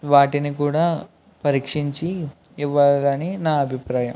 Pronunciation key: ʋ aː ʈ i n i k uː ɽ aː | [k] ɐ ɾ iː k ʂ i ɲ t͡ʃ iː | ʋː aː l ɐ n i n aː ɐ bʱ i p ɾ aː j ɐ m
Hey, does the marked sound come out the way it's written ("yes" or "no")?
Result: no